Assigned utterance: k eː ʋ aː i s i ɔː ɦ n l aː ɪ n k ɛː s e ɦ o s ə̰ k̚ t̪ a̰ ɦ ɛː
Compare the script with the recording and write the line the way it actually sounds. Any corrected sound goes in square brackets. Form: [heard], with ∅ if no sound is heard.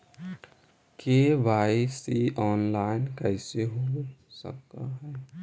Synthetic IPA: k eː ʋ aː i s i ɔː [∅] n l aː ɪ n k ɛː s e ɦ o s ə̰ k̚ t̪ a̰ ɦ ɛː